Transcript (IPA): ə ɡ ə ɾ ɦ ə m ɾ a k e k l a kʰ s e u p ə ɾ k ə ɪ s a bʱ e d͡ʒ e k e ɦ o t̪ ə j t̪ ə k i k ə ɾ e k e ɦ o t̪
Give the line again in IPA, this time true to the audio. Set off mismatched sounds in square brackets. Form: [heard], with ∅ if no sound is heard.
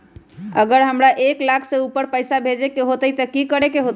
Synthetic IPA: ə ɡ ə ɾ ɦ ə m ɾ a [ʔ] e k l a kʰ s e u p ə ɾ [p] ə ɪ s a bʱ e d͡ʒ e k e ɦ o t̪ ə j t̪ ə k i k ə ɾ e k e ɦ o t̪